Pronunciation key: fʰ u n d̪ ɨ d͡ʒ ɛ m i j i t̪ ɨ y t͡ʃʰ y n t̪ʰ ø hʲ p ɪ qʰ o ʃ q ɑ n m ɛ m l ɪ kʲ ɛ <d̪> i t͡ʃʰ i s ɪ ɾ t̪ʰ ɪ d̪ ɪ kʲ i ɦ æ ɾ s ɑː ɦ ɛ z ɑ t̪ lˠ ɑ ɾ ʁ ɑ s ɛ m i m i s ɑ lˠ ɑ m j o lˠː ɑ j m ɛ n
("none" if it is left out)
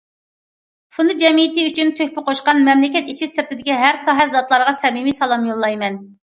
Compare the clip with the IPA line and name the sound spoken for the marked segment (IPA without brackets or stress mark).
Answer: t̪